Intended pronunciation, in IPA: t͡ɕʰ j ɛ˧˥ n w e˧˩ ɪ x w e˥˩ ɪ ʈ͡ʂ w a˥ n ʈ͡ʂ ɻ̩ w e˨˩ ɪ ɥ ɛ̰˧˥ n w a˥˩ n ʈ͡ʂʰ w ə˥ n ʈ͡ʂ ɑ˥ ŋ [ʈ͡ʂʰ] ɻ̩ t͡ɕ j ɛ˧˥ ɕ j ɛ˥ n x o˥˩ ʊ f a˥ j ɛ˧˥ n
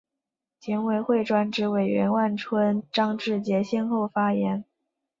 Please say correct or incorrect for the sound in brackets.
incorrect